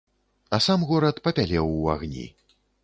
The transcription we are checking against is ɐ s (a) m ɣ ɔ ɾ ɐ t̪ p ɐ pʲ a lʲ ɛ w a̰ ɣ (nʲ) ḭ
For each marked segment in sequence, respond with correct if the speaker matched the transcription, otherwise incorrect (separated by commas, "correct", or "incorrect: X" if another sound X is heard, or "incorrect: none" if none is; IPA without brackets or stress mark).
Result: correct, correct